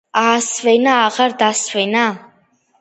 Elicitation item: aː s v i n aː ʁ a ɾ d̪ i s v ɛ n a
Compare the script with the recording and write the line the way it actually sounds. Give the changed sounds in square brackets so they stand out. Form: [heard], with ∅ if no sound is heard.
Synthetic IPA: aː s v [ɛ] n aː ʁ a ɾ d̪ [a] s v ɛ n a